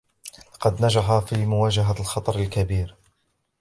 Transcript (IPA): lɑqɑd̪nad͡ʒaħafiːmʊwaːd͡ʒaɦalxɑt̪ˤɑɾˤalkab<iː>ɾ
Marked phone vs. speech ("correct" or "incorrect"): correct